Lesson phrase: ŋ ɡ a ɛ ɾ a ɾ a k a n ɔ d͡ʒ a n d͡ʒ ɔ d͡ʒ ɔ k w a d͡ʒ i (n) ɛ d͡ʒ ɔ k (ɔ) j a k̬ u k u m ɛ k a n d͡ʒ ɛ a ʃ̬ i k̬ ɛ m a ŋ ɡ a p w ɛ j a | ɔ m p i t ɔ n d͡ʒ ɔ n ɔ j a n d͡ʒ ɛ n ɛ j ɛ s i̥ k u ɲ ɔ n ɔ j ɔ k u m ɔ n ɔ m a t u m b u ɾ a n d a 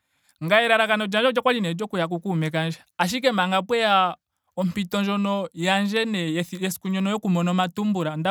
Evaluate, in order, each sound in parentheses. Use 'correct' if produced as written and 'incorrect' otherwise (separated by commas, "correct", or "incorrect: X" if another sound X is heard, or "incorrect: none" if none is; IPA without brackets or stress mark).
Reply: correct, incorrect: u